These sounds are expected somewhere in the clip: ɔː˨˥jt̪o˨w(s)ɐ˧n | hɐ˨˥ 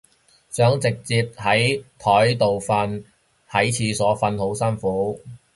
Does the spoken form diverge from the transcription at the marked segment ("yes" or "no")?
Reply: yes